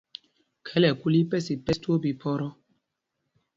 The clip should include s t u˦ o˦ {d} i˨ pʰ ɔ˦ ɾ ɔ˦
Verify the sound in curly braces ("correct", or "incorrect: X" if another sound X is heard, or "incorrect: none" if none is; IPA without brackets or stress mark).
incorrect: b